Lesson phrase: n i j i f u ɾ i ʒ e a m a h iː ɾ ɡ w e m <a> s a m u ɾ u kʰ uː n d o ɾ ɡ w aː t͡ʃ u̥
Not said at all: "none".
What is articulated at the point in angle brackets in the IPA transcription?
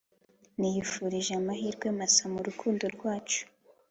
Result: a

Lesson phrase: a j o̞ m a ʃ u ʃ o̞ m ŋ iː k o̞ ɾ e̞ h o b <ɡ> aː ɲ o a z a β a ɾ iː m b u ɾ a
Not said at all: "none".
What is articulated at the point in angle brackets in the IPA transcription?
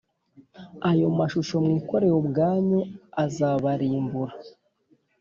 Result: ɡ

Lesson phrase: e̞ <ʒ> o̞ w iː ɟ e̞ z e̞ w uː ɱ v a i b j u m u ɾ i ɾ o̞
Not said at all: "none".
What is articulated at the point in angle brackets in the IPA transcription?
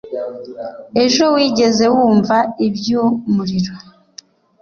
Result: ʒ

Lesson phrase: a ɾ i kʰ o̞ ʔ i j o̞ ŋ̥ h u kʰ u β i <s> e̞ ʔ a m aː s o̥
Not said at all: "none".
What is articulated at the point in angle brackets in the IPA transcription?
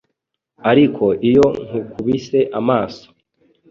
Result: s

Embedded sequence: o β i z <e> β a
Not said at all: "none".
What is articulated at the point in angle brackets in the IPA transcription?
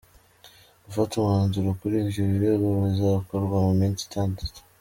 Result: a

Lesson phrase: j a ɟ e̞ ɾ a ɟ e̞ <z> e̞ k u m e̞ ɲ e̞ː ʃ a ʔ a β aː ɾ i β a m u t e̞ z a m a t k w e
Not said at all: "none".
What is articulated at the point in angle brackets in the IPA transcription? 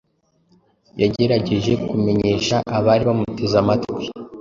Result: ʒ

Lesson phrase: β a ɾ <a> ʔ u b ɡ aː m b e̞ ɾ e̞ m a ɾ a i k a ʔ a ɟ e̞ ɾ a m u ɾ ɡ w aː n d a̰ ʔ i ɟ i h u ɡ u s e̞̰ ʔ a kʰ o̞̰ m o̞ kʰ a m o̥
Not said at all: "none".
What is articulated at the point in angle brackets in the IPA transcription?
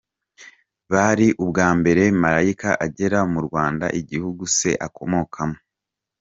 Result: i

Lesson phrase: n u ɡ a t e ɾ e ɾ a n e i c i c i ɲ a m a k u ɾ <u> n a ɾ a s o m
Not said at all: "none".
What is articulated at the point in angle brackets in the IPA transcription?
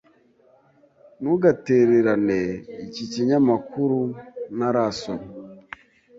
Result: u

